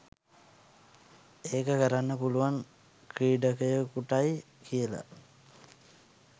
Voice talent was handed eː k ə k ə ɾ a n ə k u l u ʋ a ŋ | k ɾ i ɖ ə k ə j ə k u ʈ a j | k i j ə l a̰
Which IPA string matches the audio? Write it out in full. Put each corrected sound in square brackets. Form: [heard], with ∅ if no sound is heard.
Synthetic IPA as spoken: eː k ə k ə ɾ a [nː] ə [p] u l u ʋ a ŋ | k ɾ [iː] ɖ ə k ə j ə k u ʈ a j | k i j ə l a̰